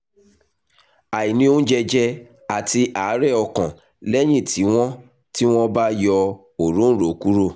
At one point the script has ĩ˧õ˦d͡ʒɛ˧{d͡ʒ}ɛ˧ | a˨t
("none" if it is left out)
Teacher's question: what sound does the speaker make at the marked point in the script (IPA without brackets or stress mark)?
d͡ʒ